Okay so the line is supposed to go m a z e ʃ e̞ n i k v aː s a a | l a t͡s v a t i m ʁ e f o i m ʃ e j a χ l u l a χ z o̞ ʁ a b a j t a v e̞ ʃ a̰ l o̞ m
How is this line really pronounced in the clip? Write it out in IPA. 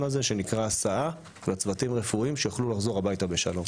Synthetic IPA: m a z e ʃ e̞ n i k ʁ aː s a a | l a t͡s v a t i m ʁ e f u i m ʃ e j a χ l u l a χ z o̞ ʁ a b a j t a b e̞ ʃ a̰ l o̞ m